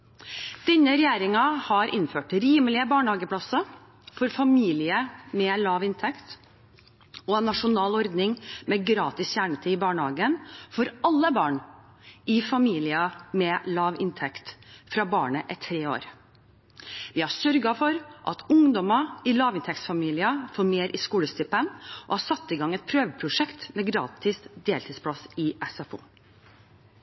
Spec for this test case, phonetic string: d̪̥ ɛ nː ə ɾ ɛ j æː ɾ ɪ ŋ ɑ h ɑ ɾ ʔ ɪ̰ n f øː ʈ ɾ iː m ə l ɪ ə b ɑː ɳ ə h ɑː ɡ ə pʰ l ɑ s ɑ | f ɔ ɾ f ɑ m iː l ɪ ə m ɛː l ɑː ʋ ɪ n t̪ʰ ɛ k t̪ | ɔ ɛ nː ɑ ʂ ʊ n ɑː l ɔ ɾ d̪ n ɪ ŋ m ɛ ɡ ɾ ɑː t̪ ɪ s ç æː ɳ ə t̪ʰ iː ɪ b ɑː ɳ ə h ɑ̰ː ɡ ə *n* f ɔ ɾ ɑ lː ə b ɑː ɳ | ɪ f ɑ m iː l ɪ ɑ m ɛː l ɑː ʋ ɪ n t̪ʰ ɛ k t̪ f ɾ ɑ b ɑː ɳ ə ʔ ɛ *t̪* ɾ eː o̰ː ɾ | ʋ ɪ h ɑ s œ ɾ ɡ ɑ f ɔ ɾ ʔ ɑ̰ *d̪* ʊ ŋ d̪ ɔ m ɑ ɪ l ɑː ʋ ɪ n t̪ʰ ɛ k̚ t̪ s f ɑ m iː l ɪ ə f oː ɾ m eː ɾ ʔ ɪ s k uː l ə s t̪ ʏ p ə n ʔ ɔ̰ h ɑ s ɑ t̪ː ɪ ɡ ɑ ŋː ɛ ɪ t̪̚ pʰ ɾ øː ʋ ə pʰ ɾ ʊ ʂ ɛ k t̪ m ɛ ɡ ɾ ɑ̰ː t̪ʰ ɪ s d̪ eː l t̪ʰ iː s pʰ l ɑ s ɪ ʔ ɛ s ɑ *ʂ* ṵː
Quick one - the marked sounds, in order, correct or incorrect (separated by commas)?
correct, incorrect, incorrect, incorrect